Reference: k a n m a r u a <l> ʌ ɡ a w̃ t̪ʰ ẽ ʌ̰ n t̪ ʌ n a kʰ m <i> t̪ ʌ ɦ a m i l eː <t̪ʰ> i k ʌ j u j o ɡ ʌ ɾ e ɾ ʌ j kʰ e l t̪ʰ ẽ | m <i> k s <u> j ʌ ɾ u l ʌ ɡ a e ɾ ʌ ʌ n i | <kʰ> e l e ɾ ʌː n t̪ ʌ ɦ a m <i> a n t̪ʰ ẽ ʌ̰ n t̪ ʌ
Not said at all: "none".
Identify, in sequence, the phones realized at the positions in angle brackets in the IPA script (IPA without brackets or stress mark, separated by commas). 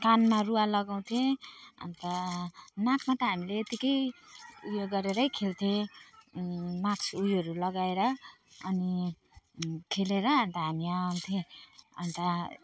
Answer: l, a, t̪, a, u, kʰ, i